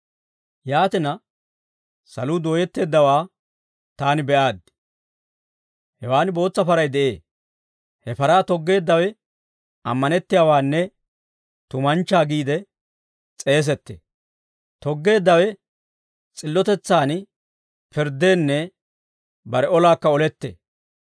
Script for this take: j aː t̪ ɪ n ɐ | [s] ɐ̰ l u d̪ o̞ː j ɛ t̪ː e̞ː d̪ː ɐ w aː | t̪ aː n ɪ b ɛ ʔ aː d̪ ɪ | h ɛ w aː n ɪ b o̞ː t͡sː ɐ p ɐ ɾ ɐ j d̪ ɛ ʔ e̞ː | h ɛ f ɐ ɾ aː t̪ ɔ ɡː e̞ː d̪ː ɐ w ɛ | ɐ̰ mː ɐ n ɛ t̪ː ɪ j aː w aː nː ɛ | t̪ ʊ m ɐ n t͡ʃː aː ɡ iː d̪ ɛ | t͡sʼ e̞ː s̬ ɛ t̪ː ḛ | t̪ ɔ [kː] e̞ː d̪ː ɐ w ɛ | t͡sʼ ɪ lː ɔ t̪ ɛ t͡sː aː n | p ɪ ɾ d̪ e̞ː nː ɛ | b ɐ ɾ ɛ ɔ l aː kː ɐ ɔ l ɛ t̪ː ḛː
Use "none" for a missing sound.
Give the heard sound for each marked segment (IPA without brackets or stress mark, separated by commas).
s, ɡː